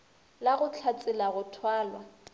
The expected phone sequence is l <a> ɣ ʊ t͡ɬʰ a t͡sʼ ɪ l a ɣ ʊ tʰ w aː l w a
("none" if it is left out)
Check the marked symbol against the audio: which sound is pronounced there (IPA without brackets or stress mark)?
a